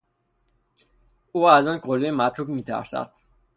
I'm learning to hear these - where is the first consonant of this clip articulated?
tongue tip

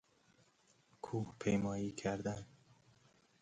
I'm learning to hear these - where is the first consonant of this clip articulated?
velum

